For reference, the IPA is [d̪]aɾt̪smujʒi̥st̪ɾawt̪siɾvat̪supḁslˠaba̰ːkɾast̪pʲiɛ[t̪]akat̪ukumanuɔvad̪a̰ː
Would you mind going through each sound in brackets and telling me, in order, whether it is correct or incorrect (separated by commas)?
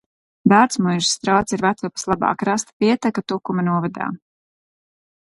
correct, correct